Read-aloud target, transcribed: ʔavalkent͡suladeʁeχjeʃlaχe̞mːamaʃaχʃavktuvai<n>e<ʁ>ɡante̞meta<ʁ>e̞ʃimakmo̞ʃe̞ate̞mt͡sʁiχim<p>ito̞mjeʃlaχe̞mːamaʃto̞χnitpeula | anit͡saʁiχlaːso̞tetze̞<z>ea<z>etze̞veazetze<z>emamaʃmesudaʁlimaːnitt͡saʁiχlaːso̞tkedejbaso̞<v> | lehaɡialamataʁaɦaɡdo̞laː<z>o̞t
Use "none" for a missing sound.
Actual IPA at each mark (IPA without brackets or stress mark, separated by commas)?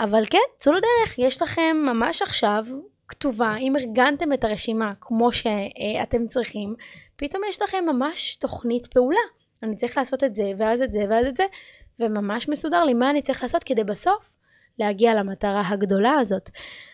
m, ʁ, ʁ, p, v, z, v, f, z